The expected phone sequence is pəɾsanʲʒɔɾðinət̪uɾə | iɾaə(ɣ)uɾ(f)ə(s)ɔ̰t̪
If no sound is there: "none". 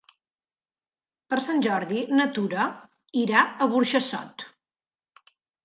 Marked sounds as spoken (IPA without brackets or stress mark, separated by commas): ɣ, ʃ, s